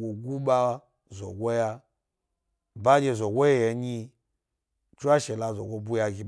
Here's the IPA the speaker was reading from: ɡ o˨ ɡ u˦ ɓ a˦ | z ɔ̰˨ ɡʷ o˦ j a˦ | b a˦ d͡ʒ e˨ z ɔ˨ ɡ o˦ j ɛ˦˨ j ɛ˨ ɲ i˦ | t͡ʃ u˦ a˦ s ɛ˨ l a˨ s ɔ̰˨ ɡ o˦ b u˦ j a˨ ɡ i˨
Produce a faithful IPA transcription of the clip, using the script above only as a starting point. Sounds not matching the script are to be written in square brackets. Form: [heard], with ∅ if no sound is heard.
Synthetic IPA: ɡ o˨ ɡ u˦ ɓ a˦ | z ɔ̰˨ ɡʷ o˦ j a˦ | b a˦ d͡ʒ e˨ z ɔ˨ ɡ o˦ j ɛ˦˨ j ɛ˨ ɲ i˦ | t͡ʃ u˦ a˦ [ʃ] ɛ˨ l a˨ [z] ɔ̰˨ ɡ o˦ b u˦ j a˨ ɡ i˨